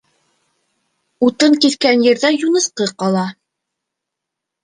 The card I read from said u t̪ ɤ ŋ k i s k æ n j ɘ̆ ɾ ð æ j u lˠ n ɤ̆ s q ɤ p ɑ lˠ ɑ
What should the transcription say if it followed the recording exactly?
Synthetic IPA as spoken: u t̪ ɤ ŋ k i θ k æ n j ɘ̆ ɾ ð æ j u n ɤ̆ s q ɤ q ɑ lˠ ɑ